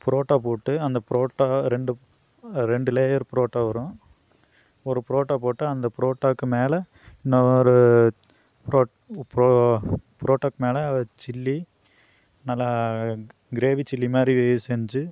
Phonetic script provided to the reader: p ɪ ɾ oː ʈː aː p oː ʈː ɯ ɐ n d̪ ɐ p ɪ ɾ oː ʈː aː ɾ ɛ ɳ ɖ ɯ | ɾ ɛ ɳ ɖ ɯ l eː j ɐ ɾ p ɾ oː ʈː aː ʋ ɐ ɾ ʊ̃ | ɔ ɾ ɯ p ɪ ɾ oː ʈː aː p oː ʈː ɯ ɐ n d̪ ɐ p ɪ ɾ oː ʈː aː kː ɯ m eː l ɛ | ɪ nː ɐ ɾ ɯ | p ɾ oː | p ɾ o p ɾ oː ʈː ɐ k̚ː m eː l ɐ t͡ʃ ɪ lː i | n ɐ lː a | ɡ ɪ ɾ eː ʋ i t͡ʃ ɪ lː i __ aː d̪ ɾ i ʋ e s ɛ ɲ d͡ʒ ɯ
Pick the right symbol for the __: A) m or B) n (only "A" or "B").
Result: A